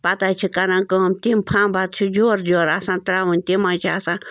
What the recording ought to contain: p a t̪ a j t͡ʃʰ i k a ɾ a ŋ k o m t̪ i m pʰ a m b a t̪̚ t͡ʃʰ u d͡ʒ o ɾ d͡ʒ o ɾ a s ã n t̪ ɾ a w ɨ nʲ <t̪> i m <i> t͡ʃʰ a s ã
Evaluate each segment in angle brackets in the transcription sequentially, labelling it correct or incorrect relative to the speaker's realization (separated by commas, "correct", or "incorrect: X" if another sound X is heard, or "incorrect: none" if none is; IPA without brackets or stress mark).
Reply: correct, incorrect: a